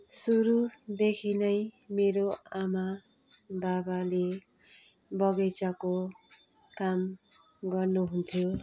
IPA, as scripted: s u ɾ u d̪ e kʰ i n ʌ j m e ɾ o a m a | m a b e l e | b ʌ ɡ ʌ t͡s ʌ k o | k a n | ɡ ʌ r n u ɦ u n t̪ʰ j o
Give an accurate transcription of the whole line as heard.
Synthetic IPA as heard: s u ɾ u d̪ e kʰ i n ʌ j m e ɾ o a m a | b a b a l e | b ʌ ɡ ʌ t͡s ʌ k o | k a m | ɡ ʌ r n u ɦ u n t̪ʰ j o

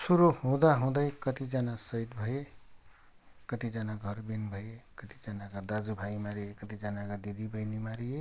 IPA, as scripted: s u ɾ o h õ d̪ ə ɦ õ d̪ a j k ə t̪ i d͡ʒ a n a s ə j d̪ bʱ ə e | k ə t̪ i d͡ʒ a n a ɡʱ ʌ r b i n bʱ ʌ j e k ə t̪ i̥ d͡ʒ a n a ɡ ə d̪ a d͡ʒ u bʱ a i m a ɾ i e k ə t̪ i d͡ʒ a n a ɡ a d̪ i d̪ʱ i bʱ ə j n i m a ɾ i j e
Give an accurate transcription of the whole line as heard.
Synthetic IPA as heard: s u ɾ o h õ d̪ a ɦ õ d̪ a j k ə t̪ i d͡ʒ a n a s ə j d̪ bʱ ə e | k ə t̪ i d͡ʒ a n a ɡʱ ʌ ɾ b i n bʱ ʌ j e k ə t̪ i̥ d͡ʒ a n a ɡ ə d̪ a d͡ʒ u bʱ a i m a ɾ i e k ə t̪ i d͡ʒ a n a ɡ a d̪ i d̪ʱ i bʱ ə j n i m a ɾ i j e

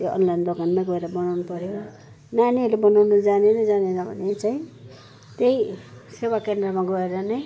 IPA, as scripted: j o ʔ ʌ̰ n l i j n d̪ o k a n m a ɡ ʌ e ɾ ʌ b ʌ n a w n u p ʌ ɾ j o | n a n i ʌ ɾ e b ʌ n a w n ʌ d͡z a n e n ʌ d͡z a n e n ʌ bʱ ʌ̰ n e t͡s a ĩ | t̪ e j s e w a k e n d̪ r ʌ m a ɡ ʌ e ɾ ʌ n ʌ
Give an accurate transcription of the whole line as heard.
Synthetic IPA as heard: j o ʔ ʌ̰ n l a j n d̪ o k a n m a ɡ ʌ e ɾ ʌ b ʌ n a w n u p ʌ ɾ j o | n a n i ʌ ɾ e b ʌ n a w n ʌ d͡z a n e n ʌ d͡z a n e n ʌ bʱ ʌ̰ n e t͡s a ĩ | t̪ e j s e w a k e n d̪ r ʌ m a ɡ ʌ e ɾ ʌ n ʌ

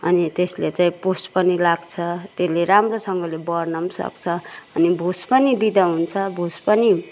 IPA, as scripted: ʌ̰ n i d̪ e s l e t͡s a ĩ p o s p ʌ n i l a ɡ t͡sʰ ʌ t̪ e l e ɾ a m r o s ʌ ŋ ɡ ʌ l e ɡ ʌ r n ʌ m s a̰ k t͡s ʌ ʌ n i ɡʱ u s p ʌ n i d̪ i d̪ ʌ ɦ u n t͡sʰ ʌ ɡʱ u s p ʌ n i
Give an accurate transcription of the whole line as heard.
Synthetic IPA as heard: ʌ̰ n i t̪ e s l e t͡s a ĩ p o s p ʌ n i l a ɡ t͡sʰ ʌ t̪ e l e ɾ a m r o s ʌ ŋ ɡ ʌ l e b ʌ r n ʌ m s ʌ̰ k t͡sʰ ʌ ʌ n i bʱ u s p ʌ n i d̪ i d̪ ʌ ɦ u n t͡sʰ ʌ bʱ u s p ʌ n i

